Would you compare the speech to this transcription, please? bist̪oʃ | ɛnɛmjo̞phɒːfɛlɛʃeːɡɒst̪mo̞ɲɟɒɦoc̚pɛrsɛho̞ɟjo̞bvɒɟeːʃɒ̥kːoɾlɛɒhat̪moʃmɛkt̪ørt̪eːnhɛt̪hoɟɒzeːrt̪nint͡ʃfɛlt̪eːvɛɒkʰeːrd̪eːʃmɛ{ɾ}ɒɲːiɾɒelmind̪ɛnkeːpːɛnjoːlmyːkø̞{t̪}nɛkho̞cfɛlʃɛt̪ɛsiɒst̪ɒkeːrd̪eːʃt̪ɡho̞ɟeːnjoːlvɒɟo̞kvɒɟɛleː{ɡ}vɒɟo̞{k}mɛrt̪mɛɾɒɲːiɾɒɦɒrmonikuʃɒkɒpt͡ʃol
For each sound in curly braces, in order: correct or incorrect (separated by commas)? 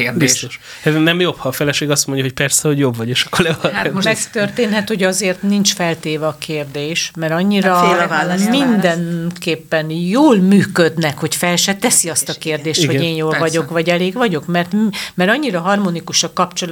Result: correct, incorrect, correct, correct